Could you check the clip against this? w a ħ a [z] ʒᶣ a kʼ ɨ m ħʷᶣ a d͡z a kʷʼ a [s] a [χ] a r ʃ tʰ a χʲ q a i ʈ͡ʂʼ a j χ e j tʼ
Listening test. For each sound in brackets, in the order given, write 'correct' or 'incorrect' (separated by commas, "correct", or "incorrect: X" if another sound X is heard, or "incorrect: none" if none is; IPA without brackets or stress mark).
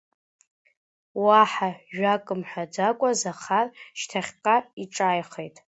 incorrect: none, incorrect: z, correct